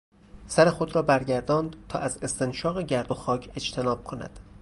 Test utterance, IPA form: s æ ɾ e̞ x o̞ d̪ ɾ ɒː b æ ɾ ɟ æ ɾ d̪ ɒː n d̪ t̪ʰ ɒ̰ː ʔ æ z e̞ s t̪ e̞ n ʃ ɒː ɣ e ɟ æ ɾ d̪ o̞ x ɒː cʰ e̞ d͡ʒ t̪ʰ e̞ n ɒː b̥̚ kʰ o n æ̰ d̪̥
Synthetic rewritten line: s æ ɾ e̞ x o̞ d̪ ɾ ɒː b æ ɾ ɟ æ ɾ d̪ ɒː n d̪ t̪ʰ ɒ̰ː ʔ æ z e̞ s t̪ e̞ n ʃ ɒː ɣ e ɟ æ ɾ d̪ o̞ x ɒː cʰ e̞ d͡ʒ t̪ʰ e̞ n ɒː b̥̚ kʰ o n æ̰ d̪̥